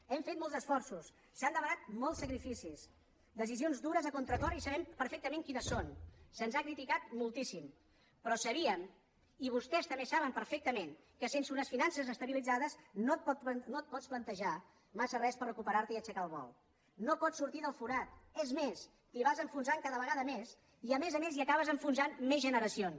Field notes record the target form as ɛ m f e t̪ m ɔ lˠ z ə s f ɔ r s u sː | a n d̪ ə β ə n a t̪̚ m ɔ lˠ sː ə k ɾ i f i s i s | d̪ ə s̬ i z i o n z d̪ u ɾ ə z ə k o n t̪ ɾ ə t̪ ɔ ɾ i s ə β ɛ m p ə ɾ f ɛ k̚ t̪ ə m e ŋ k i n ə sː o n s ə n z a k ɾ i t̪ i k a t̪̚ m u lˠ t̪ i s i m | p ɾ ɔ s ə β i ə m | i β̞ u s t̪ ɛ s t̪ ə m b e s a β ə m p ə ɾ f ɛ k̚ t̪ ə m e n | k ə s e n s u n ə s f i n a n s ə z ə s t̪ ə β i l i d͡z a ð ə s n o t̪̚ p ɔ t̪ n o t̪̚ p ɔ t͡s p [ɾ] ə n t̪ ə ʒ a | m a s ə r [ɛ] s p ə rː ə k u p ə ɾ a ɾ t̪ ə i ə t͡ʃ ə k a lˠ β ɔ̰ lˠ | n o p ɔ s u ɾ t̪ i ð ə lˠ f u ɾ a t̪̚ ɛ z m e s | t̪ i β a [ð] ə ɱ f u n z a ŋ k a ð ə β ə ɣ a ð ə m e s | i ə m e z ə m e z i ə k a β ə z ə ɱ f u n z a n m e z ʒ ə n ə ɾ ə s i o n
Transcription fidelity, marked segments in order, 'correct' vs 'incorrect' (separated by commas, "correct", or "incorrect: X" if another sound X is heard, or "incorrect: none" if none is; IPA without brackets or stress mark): incorrect: l, correct, incorrect: z